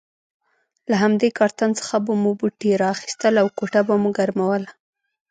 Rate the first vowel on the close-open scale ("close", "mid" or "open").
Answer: open